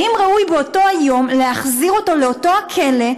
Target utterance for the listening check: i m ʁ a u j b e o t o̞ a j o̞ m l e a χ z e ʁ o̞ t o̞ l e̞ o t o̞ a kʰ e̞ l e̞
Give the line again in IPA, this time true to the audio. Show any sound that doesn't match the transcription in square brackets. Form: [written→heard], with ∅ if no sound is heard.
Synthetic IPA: i m ʁ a u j b e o t o̞ a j o̞ m l e a χ z [e→i] ʁ o̞ t o̞ l e̞ o t o̞ a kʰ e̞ l e̞